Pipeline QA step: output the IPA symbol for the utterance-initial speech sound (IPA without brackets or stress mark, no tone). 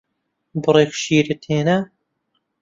b